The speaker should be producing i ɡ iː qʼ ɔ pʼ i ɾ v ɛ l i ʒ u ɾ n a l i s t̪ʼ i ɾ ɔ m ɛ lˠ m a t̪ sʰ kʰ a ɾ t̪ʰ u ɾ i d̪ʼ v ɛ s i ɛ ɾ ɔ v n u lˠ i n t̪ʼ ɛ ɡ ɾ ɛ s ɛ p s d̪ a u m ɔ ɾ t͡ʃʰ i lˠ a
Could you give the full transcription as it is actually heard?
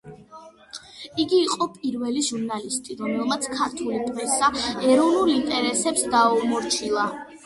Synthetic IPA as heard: i ɡ iː qʼ ɔ pʼ i ɾ v ɛ l i ʒ u ɾ n a l i s t̪ʼ i ɾ ɔ m ɛ lˠ m a t̪ sʰ kʰ a ɾ t̪ʰ u l i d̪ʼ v ɛ s a ɛ ɾ ɔ v n u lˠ i n t̪ʼ ɛ ɾ ɛ s ɛ p s d̪ a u m ɔ ɾ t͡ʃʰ i lˠ a